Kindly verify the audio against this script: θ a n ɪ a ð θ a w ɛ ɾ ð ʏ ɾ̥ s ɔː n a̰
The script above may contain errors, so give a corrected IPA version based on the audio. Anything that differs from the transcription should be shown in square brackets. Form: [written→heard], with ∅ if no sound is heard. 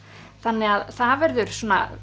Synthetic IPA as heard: θ a [n→nː] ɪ a ð θ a [w→v] ɛ ɾ ð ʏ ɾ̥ s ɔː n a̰